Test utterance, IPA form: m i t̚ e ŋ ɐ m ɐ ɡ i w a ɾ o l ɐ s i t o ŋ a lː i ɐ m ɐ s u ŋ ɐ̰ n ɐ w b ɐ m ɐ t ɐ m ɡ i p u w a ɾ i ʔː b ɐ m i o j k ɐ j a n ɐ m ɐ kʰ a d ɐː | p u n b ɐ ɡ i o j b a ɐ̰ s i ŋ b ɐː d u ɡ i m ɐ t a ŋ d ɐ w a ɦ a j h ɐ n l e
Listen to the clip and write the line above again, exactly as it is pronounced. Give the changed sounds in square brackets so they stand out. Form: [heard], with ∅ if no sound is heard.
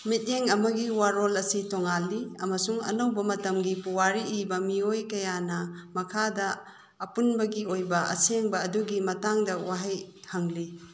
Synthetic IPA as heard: m i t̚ e ŋ ɐ m ɐ ɡ i w a ɾ o l ɐ s i t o ŋ a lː i ɐ m ɐ s u ŋ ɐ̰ n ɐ w b ɐ m ɐ t ɐ m ɡ i p u w a ɾ i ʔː b ɐ m i o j k ɐ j a n ɐ m ɐ kʰ a d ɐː | p u n b ɐ ɡ i o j b [ɐ] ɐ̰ s [e] ŋ b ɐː d u ɡ i m ɐ t a ŋ d ɐ w a ɦ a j h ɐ [ŋ] l [i]